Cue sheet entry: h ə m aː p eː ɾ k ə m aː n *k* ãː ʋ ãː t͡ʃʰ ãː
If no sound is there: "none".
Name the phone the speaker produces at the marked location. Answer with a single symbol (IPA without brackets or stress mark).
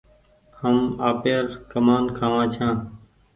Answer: kʰ